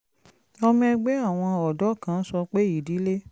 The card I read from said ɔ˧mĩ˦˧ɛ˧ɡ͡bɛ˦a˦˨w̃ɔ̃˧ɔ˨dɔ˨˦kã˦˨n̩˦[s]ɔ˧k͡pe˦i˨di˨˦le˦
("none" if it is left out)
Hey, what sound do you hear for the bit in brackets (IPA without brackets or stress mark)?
s